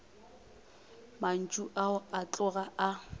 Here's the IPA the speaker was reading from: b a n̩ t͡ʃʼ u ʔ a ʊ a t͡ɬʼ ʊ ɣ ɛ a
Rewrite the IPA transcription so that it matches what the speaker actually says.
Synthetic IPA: m a n̩ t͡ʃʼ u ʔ a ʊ a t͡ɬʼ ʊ ɣ a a